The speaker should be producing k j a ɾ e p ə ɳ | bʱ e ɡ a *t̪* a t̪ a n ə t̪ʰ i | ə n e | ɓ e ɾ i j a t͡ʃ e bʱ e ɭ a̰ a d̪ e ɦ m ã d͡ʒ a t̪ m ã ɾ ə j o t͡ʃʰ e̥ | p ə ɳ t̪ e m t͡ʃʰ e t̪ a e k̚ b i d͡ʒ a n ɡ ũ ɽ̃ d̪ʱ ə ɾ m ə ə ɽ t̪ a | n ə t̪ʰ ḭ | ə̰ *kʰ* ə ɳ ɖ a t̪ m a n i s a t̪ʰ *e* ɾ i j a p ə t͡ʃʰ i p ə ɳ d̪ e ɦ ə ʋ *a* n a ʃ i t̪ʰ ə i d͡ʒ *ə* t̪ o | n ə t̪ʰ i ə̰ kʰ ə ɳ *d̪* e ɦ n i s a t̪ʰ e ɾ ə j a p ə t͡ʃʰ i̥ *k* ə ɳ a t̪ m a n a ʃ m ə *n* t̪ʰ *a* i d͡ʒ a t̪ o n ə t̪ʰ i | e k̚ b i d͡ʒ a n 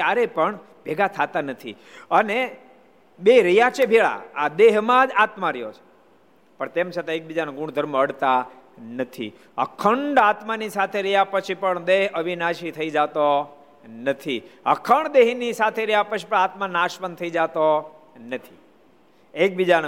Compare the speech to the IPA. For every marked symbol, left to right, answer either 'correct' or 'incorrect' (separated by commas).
incorrect, correct, correct, incorrect, incorrect, correct, incorrect, correct, incorrect